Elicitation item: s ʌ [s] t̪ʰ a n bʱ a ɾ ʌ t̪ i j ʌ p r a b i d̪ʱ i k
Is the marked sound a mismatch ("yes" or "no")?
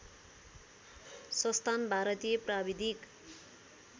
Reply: no